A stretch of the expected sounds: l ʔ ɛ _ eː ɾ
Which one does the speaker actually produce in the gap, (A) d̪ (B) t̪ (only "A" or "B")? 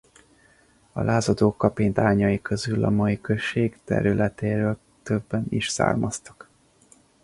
B